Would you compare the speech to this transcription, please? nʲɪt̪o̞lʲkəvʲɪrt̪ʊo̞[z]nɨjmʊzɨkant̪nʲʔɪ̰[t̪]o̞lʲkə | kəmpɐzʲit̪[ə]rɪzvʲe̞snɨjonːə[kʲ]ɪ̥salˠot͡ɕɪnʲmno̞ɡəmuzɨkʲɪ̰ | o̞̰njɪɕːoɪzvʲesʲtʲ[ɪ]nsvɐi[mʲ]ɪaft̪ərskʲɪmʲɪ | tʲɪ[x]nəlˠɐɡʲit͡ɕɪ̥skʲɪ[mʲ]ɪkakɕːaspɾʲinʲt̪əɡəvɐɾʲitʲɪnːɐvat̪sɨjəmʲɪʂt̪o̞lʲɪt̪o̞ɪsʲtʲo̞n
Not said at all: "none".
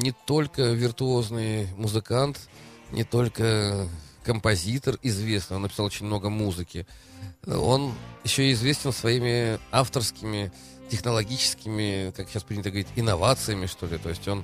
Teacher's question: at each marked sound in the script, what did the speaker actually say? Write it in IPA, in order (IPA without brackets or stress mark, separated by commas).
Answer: z, t̪, ə, pʲ, ɪ, mʲ, x, mʲ